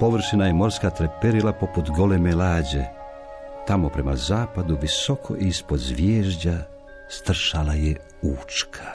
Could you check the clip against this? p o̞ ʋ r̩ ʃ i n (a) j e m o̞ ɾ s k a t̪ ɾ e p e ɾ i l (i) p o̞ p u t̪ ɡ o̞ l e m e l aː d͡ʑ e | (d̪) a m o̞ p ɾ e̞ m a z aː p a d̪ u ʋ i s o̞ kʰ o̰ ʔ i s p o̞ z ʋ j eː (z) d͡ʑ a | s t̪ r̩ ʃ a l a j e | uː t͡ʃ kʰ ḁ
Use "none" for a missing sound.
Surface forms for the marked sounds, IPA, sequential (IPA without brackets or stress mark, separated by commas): a, a, t̪, ʒ